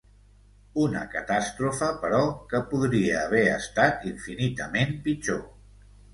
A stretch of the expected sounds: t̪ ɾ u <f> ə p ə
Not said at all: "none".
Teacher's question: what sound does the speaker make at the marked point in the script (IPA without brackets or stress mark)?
f